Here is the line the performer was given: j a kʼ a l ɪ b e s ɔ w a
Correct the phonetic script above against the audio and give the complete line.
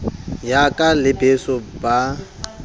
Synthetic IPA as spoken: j a kʼ a l ɪ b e s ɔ b a